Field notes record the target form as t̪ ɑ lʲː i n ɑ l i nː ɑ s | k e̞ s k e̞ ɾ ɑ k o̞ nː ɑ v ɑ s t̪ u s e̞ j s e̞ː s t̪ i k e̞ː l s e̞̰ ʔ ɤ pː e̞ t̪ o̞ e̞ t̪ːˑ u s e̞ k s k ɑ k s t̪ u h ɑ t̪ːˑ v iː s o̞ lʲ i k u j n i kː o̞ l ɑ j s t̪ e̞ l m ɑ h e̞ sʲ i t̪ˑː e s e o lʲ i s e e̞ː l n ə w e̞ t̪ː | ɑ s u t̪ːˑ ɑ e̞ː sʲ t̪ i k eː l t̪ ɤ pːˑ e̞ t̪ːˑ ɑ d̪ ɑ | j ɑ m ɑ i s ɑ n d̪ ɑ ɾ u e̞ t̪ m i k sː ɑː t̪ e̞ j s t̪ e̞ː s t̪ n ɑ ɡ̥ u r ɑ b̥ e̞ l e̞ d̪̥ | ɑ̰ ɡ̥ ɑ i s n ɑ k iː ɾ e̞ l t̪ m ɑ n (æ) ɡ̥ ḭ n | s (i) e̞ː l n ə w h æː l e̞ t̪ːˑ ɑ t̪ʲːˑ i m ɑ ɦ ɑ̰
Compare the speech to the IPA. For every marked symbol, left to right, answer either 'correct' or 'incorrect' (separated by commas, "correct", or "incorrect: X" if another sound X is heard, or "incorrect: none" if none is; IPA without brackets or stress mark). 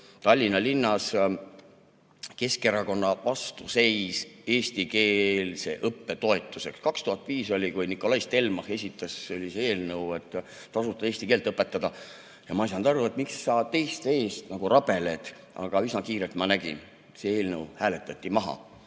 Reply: correct, incorrect: e